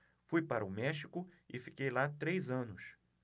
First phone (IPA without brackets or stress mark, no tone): f